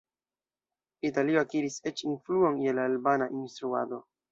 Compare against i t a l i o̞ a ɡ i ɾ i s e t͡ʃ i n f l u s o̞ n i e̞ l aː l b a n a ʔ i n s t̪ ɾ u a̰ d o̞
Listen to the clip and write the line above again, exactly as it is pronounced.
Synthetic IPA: i t a l i o̞ a k i ɾ i s e t͡ʃ i n f l u o̞ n j e̞ l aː l b a n a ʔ i n s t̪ ɾ u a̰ d o̞